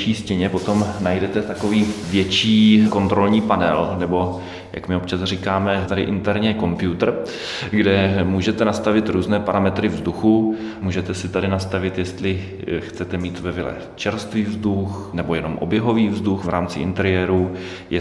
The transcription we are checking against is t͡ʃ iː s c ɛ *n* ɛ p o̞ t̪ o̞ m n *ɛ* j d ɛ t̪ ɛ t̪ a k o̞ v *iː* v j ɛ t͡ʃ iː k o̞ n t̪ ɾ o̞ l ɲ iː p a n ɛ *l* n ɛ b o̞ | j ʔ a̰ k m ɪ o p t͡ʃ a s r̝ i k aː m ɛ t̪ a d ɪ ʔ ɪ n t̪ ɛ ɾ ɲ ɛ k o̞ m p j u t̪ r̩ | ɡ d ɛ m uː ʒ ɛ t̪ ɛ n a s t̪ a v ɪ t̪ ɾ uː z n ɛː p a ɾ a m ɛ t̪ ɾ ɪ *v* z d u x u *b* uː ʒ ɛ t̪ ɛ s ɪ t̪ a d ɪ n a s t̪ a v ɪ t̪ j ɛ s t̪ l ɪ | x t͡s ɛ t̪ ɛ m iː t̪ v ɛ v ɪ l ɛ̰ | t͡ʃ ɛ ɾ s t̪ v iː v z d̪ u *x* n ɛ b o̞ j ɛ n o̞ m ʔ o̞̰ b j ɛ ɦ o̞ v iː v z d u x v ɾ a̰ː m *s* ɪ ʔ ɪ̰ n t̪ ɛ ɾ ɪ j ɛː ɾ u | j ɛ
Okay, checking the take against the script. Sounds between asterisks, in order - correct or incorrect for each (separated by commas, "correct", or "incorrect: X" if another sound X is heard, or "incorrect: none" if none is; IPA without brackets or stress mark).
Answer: incorrect: ɲ, incorrect: a, correct, correct, correct, incorrect: m, correct, incorrect: t͡s